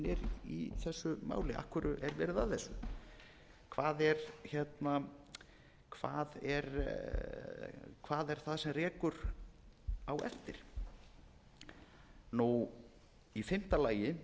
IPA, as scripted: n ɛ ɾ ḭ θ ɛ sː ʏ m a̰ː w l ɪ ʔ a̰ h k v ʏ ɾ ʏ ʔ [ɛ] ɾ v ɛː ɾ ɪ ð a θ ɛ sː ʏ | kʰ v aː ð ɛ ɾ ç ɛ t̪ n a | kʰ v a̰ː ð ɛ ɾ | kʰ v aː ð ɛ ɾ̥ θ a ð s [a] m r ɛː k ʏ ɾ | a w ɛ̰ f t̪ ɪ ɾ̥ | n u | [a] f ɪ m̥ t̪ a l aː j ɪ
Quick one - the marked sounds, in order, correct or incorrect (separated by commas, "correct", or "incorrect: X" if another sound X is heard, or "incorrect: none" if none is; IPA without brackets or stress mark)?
correct, incorrect: ɛ, incorrect: i